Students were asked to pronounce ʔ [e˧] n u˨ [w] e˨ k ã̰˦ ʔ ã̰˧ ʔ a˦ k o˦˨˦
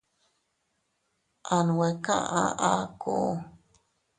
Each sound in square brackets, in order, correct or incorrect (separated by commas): incorrect, correct